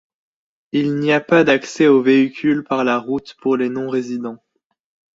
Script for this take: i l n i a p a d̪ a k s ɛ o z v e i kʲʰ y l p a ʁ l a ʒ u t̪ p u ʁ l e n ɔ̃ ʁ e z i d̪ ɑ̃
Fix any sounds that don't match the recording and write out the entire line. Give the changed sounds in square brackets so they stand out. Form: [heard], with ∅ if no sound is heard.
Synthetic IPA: i l n i a p a d̪ a k s ɛ o [∅] v e i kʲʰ y l p a ʁ l a [ʁ] u t̪ p u ʁ l e n ɔ̃ ʁ e z i d̪ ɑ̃